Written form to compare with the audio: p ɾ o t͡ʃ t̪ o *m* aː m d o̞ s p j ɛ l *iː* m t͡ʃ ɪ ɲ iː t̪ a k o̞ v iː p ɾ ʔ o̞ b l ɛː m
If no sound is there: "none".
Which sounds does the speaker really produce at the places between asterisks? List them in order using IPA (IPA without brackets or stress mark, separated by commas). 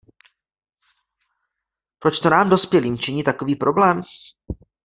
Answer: n, iː